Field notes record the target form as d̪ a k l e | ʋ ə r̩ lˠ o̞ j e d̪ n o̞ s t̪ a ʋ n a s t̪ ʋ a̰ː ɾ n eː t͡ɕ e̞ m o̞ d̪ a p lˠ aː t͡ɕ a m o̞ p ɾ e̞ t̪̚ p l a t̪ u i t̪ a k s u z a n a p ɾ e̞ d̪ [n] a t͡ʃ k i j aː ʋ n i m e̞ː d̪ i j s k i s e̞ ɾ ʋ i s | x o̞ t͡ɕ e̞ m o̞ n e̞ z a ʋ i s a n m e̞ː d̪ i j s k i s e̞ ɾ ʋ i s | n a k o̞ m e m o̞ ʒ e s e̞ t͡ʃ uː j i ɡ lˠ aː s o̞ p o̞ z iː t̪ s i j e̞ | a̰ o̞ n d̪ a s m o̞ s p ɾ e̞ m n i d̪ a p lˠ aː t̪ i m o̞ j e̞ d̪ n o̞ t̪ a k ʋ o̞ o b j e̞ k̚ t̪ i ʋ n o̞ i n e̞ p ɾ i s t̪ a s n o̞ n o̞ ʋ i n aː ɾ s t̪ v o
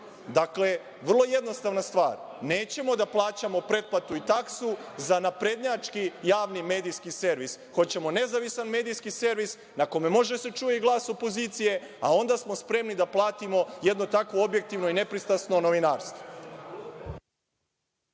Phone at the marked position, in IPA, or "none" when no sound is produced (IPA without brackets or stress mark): ɲ